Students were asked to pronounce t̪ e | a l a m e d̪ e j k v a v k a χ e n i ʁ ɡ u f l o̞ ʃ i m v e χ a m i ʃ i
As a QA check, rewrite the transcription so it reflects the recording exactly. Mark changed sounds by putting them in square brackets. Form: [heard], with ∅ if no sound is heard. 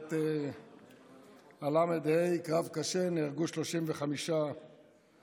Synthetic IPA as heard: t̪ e | a l a m e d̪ e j k [ʁ] a v k a [ʃ] e n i ʁ ɡ u [ʃ] l o̞ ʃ i m v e χ a m i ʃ [a]